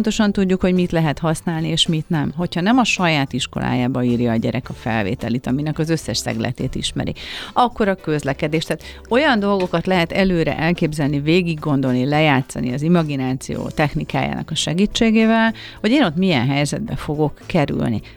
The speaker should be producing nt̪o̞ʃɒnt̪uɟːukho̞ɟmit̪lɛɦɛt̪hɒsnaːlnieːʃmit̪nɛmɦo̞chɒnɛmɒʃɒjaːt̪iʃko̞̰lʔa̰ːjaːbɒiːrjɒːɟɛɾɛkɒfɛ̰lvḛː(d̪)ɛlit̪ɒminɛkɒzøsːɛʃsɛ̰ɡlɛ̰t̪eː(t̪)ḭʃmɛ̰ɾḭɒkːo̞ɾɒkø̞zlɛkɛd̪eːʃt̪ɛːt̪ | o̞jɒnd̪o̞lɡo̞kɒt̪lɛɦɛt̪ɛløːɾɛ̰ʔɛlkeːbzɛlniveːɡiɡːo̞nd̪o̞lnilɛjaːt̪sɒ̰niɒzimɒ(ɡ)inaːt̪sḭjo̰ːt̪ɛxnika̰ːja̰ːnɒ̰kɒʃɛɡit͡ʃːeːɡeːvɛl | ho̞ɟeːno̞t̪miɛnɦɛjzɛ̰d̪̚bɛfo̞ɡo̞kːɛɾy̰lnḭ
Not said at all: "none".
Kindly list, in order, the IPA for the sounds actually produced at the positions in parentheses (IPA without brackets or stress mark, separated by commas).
t̪, t̪, ɡ